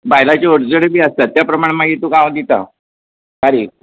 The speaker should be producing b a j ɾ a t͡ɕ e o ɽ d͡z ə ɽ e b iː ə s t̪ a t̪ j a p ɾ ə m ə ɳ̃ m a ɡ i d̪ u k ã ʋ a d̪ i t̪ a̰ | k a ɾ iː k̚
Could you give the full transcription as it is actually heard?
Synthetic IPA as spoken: b a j l a t͡ɕ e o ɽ d͡z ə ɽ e b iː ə s t̪ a t̪ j a p ɾ ə m a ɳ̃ m a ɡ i t̪ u k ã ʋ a d̪ i t̪ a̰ | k a ɾ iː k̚